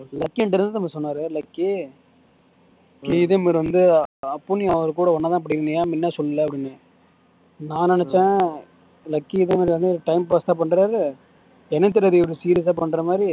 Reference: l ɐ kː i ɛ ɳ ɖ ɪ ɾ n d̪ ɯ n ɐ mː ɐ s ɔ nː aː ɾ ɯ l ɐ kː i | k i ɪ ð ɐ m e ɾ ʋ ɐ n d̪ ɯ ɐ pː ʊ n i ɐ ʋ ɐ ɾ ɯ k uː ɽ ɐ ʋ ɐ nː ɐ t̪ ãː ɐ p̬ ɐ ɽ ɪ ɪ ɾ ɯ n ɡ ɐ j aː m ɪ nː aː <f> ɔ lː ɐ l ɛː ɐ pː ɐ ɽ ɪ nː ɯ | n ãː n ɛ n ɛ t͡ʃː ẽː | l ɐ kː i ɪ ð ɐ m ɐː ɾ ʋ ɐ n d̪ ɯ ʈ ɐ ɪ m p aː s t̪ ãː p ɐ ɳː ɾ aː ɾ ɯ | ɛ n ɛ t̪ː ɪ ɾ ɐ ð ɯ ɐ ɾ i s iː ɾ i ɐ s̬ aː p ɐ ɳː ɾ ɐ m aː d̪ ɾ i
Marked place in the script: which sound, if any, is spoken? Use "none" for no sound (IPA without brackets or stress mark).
s